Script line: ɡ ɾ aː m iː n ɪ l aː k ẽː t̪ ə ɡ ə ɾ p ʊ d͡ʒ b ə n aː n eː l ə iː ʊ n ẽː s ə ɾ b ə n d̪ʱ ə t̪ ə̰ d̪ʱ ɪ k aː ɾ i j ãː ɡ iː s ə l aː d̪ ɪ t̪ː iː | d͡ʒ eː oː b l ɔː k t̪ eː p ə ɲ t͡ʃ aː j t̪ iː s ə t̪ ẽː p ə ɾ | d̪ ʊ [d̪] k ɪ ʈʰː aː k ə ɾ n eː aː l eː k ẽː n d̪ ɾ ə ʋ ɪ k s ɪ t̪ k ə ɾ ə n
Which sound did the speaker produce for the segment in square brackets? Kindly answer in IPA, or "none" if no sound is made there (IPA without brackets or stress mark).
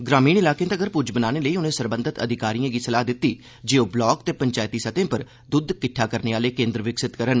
d̪